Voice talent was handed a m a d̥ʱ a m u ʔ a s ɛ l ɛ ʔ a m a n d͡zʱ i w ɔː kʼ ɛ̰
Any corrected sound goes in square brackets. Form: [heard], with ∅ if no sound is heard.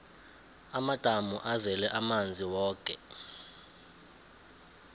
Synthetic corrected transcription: a m a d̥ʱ a m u ʔ a [z] ɛ l ɛ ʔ a m a n d͡zʱ i w ɔː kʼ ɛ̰